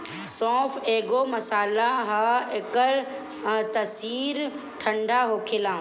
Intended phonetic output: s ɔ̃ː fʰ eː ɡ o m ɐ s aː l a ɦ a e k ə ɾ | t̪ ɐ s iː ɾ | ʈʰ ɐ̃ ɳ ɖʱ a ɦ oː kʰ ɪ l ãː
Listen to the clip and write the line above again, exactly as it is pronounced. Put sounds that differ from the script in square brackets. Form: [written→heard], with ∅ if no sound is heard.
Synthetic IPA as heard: s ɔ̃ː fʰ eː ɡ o m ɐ s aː l a ɦ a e k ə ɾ | t̪ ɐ s iː ɾ | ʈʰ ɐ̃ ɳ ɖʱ a ɦ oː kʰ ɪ l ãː